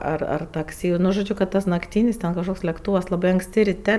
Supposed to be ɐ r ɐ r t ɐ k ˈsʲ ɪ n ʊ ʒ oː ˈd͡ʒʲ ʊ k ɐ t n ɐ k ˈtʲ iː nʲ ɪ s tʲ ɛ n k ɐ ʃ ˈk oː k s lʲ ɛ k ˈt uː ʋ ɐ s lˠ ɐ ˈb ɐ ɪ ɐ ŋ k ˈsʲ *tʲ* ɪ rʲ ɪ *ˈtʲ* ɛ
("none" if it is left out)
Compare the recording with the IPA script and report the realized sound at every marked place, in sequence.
tʲ, tʲ

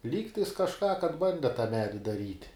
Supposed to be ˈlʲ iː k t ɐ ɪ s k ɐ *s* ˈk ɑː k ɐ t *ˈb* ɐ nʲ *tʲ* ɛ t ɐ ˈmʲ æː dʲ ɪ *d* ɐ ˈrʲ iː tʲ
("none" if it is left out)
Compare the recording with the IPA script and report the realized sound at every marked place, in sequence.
ʃ, b, dʲ, d

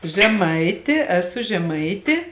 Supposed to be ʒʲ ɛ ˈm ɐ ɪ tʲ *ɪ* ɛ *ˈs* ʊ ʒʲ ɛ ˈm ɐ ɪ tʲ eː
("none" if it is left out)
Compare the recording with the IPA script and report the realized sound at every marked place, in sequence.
ɪ, s

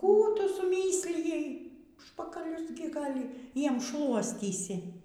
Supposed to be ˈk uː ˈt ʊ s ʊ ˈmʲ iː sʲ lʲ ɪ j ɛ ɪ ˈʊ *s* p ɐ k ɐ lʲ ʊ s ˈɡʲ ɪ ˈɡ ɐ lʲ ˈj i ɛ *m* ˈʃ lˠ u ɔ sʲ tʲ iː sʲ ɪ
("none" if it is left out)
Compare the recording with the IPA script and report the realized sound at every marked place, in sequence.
ʃ, m

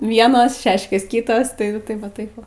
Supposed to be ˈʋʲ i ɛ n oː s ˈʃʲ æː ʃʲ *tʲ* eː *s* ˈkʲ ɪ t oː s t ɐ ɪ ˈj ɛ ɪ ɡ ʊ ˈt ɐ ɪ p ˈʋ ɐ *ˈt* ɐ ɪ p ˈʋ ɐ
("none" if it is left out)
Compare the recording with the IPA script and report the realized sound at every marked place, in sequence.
kʲ, s, t

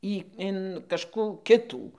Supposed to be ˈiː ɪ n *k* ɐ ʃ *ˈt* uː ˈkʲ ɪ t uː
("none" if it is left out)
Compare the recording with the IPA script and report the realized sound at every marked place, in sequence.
k, k

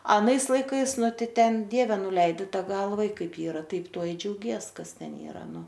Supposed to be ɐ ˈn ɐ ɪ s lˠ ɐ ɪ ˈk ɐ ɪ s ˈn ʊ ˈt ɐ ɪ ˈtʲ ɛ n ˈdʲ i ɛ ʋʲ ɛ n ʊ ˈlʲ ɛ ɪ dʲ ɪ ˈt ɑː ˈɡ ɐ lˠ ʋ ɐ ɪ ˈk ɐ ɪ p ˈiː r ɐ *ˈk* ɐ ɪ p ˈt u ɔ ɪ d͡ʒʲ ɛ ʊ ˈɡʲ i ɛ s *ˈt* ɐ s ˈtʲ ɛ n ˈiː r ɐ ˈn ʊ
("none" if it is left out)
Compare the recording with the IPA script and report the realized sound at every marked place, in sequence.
t, k

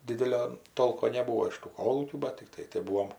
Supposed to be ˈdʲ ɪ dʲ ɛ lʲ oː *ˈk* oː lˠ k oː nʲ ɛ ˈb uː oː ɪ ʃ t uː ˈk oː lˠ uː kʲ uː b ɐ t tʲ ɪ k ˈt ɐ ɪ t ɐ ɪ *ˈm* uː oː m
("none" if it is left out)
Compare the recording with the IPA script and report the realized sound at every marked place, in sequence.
t, b

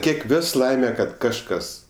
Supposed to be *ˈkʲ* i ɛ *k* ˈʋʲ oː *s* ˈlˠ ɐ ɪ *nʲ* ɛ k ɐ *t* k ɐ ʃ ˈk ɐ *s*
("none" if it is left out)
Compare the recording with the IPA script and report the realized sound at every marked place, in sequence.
kʲ, k, s, mʲ, t, s

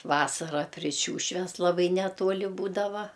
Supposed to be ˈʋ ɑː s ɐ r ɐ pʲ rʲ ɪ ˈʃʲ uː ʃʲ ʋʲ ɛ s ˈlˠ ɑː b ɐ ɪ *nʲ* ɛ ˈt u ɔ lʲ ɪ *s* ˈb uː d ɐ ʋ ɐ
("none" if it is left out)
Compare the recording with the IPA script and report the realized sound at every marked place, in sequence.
nʲ, none

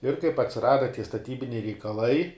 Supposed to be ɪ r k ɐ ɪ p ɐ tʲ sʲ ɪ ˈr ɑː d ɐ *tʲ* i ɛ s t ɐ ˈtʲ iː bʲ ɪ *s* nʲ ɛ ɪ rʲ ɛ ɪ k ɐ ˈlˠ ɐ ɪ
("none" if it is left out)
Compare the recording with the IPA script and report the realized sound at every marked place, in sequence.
tʲ, none

